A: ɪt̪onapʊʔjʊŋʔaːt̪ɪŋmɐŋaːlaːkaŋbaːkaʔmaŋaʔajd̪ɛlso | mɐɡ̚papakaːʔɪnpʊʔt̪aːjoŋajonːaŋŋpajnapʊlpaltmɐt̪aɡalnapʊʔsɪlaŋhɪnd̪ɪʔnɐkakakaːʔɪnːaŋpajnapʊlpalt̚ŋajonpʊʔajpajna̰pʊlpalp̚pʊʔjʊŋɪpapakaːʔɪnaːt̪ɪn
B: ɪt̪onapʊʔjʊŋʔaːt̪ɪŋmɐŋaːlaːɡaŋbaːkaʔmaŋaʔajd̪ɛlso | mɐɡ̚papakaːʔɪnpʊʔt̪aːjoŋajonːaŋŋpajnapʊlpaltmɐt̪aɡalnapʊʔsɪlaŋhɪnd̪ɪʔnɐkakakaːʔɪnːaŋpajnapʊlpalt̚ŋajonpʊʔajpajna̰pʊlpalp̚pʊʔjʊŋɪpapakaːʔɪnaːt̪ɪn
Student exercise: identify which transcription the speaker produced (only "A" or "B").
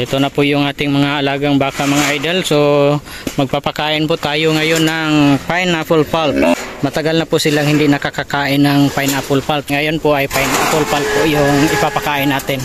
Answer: B